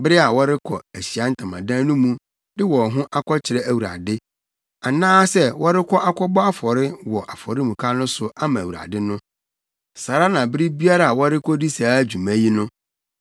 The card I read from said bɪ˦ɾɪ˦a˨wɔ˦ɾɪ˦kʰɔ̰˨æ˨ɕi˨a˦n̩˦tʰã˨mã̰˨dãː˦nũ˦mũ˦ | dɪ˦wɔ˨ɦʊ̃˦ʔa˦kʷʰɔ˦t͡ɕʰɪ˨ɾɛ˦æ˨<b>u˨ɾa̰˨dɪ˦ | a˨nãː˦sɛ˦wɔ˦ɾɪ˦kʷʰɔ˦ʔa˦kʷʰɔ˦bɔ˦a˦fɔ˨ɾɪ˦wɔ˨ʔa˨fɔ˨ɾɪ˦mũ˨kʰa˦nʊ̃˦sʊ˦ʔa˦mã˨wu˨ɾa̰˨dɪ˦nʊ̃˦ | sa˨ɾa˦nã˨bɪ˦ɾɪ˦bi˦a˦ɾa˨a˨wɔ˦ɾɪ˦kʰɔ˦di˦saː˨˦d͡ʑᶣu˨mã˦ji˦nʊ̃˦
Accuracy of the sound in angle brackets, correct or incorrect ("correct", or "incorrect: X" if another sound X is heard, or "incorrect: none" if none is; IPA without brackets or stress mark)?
incorrect: w